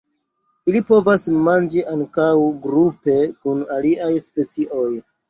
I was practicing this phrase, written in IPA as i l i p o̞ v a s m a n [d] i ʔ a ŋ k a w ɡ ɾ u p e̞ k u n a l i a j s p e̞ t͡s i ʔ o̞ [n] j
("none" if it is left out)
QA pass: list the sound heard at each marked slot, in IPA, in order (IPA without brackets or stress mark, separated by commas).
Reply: d͡ʒ, none